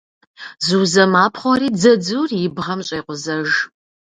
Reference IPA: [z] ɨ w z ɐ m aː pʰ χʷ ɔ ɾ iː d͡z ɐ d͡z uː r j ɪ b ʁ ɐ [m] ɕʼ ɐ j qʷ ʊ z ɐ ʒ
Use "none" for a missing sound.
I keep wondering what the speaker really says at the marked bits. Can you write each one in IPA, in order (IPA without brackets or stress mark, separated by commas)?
z, m